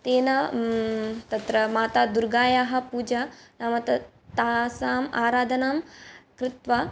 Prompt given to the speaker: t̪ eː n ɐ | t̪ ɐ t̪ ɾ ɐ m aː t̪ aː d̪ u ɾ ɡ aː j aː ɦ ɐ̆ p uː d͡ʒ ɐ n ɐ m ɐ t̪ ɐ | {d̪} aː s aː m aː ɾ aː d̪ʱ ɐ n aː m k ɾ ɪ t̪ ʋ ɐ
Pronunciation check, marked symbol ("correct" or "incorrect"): incorrect